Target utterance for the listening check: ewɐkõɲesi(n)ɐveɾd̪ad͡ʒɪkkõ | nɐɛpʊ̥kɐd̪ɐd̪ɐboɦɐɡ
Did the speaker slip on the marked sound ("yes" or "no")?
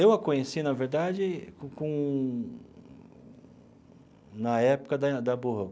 no